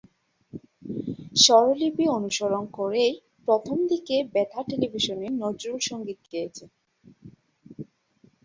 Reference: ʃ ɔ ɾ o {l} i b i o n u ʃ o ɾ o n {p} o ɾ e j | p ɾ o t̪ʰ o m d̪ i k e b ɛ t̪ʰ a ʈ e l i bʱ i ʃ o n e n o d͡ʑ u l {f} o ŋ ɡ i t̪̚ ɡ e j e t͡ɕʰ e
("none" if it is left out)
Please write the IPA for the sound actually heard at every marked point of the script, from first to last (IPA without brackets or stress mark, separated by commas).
l, k, ʃ